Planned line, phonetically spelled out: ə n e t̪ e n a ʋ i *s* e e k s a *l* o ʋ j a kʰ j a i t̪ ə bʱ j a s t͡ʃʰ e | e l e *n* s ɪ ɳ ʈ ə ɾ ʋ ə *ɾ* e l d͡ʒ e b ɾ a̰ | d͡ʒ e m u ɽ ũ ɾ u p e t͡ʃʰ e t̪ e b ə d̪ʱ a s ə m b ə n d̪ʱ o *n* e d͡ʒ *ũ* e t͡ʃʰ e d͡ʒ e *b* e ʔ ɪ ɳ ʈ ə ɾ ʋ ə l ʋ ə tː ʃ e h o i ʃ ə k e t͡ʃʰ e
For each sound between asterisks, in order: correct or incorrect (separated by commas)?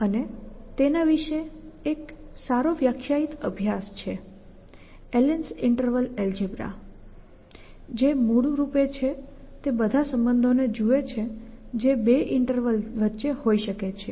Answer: incorrect, incorrect, correct, incorrect, correct, incorrect, correct